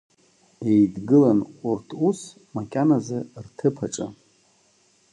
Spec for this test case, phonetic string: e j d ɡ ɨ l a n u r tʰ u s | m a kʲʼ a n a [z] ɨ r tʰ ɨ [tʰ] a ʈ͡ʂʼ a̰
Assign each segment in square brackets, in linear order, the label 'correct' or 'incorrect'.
correct, incorrect: pʰ

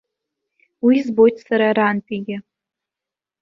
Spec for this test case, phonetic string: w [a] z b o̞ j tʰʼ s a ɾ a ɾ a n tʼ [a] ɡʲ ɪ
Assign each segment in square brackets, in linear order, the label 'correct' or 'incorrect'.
incorrect: i, incorrect: i

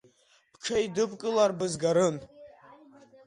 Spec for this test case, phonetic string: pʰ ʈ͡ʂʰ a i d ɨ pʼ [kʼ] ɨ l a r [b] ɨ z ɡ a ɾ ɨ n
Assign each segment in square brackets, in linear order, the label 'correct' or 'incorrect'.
correct, correct

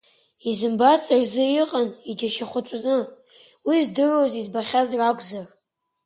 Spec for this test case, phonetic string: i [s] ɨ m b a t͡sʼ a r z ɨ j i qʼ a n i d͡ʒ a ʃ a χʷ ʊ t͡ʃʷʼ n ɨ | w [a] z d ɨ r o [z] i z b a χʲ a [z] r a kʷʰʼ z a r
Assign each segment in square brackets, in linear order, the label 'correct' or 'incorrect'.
incorrect: z, incorrect: i, correct, correct

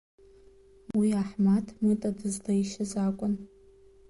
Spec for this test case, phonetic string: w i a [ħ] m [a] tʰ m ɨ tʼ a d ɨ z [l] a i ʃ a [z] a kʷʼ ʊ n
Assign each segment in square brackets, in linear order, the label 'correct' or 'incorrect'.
correct, correct, correct, correct

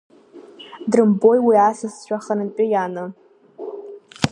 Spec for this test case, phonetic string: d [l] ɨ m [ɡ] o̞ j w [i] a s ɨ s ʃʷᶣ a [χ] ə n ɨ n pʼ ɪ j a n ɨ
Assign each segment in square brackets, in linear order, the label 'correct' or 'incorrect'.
incorrect: r, incorrect: b, correct, correct

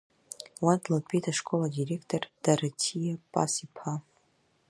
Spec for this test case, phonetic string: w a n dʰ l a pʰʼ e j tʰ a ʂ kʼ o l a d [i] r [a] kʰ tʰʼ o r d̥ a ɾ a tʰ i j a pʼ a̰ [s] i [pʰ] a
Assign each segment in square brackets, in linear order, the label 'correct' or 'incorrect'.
correct, incorrect: e, correct, correct

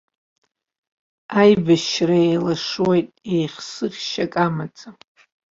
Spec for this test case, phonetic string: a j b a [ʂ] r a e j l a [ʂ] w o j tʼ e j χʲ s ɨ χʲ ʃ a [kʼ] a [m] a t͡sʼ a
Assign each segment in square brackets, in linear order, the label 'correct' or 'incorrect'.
incorrect: ʃ, correct, correct, correct

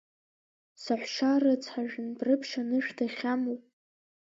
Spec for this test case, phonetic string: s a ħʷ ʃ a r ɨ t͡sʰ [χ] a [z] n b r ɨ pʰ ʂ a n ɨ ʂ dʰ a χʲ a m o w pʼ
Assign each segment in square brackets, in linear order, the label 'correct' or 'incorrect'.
incorrect: ħ, incorrect: ʒ

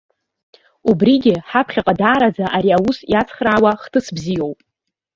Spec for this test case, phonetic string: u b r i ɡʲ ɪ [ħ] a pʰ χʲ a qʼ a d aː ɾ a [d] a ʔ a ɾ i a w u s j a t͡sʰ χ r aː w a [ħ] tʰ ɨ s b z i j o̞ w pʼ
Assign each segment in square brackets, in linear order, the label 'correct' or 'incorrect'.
correct, incorrect: d͡z, incorrect: χ

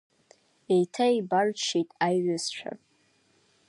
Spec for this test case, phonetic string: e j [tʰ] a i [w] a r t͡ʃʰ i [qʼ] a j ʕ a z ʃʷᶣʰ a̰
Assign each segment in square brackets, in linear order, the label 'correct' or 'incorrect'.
correct, incorrect: b, incorrect: tʼ

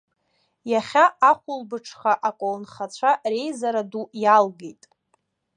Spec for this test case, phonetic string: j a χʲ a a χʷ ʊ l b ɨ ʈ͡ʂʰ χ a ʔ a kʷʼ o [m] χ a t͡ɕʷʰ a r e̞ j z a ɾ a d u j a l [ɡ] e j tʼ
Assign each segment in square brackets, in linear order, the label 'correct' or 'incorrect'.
incorrect: n, correct

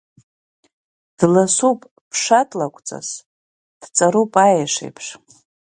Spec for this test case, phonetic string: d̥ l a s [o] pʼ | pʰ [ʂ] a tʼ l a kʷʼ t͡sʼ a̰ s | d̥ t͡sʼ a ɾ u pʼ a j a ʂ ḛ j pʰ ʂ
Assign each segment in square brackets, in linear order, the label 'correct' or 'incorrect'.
incorrect: u, correct

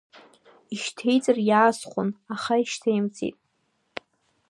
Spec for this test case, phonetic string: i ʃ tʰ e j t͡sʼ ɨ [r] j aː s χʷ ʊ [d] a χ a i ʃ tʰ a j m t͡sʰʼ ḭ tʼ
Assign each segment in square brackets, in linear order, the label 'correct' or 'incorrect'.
correct, incorrect: n

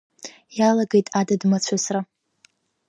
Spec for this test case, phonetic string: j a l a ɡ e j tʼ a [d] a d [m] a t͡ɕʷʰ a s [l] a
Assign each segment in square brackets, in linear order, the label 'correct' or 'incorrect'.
correct, correct, incorrect: r

